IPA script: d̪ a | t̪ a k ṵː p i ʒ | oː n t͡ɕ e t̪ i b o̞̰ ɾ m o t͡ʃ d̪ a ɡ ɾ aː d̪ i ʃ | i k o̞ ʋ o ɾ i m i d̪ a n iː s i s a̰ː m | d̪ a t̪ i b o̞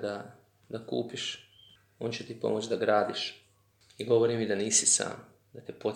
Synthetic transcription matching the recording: d̪ a | d̪ a k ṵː p i ʃ | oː n t͡ɕ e t̪ i p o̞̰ m o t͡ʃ d̪ a ɡ ɾ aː d̪ i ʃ | i ɡ o̞ ʋ o ɾ i m i d̪ a n iː s i s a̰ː m | d̪ a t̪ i p o̞